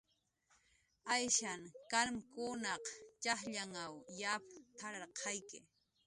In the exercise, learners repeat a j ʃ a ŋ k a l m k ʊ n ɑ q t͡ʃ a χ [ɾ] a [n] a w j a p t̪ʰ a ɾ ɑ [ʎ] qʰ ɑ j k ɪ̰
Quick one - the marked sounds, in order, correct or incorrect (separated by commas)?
incorrect, incorrect, incorrect